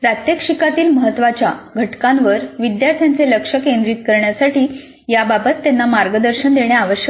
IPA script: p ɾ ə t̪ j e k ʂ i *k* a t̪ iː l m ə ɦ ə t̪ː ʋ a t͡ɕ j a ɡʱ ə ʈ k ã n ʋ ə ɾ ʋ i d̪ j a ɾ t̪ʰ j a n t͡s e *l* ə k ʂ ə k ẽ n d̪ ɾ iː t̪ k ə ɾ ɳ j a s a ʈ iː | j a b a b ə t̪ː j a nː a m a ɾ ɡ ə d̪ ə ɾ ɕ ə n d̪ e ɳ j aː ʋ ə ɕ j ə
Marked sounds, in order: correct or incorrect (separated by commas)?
correct, correct